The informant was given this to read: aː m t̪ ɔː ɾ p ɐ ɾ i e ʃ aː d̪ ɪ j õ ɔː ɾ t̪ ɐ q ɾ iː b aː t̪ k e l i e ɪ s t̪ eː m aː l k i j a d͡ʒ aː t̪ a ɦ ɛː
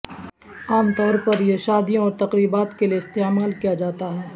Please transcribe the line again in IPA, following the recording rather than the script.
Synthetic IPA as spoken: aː m t̪ ɔː ɾ p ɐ ɾ j e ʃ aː d̪ i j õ ɔː ɾ t̪ ɐ q ɾ iː b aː t̪ k e l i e ɪ s t̪ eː m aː l k i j a d͡ʒ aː t̪ a ɦ ɛː